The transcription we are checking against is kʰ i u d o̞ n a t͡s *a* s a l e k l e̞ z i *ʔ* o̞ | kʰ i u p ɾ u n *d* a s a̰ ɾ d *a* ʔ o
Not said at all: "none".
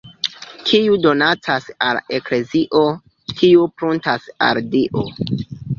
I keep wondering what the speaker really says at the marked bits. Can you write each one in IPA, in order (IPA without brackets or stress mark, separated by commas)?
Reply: a, ʔ, t, i